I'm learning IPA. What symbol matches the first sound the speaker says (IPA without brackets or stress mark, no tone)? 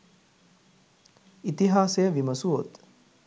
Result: i